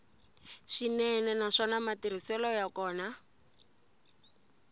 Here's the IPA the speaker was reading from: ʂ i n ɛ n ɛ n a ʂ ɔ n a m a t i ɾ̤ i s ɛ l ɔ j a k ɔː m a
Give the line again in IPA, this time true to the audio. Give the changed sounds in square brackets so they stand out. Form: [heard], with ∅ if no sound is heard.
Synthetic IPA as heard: [ʃ] i n ɛ n ɛ n a ʂ ɔ n a m a t i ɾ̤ i s ɛ l ɔ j a k ɔː [n] a